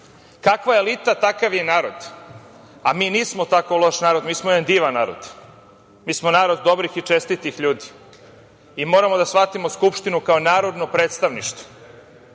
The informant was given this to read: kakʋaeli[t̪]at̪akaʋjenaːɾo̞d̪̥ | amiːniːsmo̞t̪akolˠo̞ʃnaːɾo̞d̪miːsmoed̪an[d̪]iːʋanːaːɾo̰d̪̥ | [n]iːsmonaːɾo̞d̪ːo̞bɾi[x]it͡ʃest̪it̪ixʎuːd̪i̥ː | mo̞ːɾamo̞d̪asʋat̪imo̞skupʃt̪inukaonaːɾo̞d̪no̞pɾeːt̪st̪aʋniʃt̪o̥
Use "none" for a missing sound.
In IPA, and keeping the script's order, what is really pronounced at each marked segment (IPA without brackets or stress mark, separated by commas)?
t̪, d̪, m, x